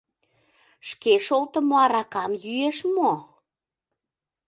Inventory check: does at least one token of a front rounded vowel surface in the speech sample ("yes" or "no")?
yes